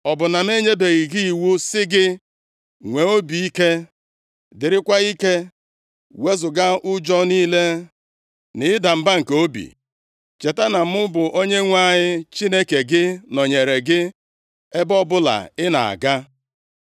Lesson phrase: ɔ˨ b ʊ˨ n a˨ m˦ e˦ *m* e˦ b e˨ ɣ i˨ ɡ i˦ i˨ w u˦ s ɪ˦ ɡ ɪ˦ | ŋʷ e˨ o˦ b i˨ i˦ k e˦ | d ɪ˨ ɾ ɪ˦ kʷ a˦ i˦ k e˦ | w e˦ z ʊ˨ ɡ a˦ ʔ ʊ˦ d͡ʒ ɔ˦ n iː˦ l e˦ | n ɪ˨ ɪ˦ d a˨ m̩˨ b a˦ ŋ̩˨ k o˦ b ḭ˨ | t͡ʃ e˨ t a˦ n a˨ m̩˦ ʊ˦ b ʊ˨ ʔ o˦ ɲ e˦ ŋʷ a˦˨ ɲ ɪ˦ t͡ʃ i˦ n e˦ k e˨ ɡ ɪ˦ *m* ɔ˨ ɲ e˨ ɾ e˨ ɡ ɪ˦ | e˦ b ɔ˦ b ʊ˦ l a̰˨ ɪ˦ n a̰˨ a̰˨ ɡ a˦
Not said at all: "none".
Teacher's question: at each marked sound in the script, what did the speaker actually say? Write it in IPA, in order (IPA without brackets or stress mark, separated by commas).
ɲ, n